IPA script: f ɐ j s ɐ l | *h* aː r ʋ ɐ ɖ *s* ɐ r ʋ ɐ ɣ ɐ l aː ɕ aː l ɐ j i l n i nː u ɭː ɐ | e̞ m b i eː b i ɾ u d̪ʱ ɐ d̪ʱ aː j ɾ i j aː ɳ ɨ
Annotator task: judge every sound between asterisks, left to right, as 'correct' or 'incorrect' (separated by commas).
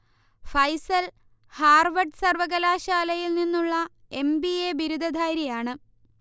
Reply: correct, correct